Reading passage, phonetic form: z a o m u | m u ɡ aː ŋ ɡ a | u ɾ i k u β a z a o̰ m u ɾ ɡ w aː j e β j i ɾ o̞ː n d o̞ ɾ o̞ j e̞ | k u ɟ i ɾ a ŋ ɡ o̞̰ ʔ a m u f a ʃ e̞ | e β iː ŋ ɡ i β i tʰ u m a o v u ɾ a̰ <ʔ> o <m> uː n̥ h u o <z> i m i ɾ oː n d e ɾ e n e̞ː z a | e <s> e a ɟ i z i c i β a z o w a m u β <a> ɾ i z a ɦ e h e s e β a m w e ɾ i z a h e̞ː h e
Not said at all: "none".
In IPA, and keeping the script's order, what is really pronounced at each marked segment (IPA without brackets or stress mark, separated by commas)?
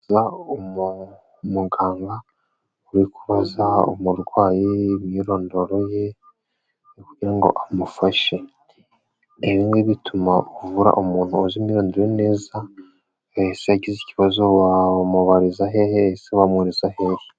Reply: ʔ, m, z, s, a